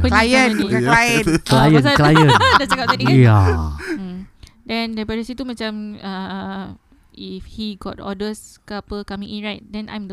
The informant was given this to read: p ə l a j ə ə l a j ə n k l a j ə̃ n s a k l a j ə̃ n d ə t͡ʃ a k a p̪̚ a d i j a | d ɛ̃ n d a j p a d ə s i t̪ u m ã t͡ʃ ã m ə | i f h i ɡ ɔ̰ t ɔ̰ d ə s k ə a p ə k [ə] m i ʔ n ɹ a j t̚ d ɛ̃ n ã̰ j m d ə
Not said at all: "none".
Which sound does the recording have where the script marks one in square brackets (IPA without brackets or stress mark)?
a